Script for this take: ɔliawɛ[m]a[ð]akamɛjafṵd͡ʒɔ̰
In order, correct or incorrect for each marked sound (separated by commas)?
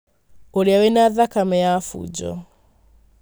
incorrect, correct